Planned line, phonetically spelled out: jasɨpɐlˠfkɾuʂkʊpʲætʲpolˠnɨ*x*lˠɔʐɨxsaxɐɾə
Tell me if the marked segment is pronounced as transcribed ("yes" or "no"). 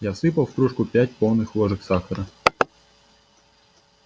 yes